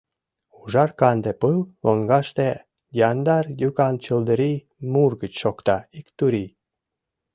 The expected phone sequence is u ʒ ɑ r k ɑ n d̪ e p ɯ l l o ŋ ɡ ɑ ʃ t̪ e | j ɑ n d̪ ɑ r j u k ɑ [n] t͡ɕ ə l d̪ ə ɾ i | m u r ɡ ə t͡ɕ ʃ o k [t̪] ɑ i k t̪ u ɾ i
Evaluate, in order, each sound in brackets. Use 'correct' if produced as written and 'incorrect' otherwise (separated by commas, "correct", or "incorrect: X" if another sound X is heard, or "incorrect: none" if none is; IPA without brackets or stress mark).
correct, correct